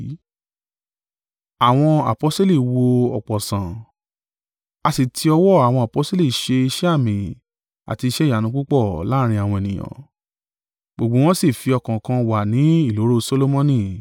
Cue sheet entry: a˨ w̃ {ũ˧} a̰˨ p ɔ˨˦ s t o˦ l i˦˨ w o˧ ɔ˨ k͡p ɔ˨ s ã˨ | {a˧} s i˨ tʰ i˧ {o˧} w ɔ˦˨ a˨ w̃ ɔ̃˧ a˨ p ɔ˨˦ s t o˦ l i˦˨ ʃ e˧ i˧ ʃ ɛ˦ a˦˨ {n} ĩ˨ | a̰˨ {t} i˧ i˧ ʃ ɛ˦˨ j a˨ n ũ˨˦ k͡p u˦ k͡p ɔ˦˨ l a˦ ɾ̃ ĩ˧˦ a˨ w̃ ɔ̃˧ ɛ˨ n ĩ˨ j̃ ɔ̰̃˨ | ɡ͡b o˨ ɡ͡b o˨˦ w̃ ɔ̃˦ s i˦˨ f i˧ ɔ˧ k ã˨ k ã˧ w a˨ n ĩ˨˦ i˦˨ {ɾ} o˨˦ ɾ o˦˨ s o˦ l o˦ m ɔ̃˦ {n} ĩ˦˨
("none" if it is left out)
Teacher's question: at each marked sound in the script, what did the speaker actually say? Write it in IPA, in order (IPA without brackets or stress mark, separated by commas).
ɔ̃˧, a˧, ɔ˧, m, t, l, n